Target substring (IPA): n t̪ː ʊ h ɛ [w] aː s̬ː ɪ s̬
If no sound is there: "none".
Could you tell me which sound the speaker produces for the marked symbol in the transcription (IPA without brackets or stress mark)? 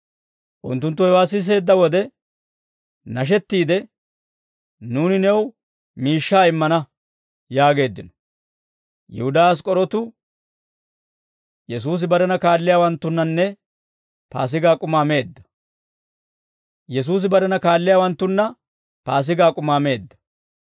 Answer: w